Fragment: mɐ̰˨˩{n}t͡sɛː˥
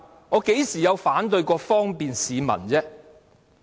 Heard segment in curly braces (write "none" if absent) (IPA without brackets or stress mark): n